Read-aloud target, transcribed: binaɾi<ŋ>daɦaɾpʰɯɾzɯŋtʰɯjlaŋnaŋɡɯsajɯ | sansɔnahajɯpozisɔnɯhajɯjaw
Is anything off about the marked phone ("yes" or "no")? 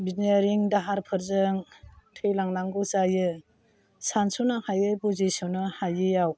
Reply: no